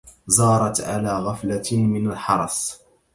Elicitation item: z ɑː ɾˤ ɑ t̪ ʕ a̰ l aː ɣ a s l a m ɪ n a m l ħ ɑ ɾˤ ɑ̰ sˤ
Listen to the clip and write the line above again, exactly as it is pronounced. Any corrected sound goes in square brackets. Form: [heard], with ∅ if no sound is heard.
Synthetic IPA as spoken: z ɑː ɾˤ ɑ t̪ ʕ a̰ l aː ɣ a [f] l a m ɪ n a [∅] l ħ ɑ ɾˤ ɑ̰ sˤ